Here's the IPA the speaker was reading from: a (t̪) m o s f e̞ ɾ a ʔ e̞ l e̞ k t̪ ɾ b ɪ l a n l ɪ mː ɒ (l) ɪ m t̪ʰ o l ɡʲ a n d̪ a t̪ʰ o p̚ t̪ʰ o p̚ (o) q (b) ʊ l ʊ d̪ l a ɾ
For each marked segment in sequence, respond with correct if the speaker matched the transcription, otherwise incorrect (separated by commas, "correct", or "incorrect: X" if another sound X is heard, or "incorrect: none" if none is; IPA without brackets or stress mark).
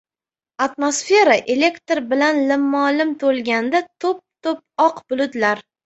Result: correct, correct, incorrect: ɒ, correct